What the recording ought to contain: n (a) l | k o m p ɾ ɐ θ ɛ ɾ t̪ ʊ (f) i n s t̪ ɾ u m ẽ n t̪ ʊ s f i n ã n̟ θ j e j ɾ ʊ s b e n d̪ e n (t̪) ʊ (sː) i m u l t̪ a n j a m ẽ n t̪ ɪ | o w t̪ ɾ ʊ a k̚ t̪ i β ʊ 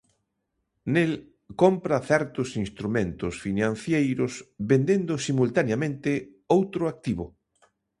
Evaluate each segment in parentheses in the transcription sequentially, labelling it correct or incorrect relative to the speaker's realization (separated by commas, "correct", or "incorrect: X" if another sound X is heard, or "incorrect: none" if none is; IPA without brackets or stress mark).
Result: incorrect: e, incorrect: s, incorrect: d̪, incorrect: s